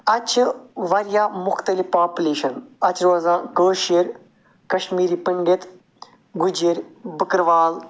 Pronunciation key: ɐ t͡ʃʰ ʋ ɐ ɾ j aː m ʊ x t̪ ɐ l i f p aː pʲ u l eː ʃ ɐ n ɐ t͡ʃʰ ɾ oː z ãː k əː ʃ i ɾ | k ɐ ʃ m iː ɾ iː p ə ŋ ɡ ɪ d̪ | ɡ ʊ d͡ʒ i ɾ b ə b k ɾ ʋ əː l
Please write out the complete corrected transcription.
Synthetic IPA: ɐ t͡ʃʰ ʋ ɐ ɾ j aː m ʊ x t̪ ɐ l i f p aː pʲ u l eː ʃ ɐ n ɐ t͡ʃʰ ɾ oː z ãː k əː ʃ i ɾ | k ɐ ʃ m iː ɾ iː p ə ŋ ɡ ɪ t̪ | ɡ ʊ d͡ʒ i ɾ b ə k ɾ ʋ aː l